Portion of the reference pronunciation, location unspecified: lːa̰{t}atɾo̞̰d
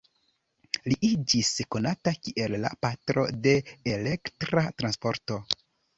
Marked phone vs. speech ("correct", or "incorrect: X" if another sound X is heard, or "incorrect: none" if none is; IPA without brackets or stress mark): incorrect: p